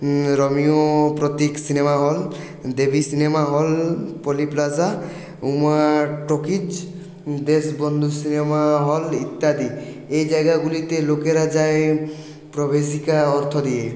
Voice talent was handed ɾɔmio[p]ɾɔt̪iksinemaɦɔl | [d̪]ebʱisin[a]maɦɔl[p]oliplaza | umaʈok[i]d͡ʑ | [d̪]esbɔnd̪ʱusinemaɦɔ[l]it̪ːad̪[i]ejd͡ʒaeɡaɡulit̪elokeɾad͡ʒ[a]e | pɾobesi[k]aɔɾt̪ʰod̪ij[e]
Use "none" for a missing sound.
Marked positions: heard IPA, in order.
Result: p, d̪, e, p, i, d̪, l, i, a, k, e

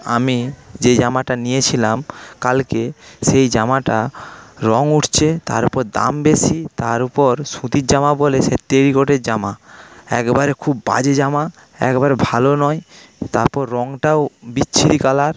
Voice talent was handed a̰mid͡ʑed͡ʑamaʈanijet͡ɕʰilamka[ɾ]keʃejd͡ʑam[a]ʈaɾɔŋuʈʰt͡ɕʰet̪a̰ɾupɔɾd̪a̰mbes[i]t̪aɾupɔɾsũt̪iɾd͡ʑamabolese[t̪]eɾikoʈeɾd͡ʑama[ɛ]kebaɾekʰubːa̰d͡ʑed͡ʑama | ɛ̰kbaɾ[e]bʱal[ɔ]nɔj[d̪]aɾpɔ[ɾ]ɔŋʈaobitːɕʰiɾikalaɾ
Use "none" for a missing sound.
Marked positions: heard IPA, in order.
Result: l, a, i, t̪, ɛ, e, o, t̪, ɾː

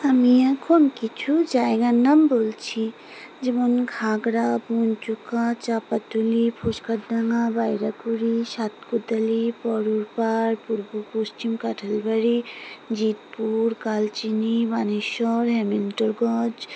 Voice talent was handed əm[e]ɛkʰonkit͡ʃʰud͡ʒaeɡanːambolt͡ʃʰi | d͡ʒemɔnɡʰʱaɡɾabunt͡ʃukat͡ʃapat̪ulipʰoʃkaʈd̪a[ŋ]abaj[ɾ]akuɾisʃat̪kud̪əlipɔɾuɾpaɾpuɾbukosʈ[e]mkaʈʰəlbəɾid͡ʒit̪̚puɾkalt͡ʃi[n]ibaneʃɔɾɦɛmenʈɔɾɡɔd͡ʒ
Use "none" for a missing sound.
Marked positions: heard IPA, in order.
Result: i, ŋ, ɾ, i, n

